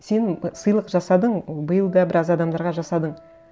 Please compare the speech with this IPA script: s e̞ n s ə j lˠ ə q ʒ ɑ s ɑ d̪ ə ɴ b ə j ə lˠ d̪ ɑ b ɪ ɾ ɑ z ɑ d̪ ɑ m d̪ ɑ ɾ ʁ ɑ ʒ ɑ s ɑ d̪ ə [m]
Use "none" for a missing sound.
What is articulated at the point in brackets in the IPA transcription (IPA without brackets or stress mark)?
ɴ